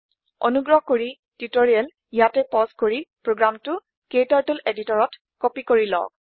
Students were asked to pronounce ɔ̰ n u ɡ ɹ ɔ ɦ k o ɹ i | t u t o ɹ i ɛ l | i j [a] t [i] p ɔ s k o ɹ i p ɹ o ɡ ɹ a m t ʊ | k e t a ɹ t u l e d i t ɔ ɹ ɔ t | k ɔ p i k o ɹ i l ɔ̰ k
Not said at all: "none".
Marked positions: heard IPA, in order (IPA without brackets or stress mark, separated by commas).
a, ɛ